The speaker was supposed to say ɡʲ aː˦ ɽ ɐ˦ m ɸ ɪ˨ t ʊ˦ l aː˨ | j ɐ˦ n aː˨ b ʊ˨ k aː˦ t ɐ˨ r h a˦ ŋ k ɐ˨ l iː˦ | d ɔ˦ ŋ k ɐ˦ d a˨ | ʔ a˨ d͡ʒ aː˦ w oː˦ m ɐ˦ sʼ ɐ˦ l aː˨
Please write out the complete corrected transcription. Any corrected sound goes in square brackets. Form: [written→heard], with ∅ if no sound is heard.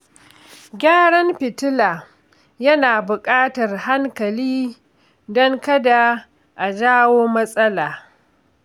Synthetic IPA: ɡʲ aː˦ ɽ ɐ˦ m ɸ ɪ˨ t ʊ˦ l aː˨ | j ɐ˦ n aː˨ b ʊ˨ [k→kʼ] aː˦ t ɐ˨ r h a˦ ŋ k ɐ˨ l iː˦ | d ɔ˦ ŋ k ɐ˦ d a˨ | ʔ a˨ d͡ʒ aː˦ w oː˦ m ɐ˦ sʼ ɐ˦ l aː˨